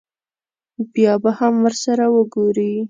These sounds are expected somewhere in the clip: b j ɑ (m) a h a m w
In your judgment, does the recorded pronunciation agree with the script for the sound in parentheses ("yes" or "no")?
no